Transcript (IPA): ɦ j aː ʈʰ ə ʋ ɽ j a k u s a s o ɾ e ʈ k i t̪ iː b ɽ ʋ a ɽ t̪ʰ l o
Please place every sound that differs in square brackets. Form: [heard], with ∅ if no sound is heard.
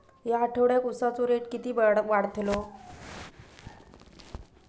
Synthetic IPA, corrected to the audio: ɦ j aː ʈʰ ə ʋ ɽ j a k u s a [t͡s] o ɾ e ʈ k i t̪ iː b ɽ ʋ a ɽ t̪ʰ l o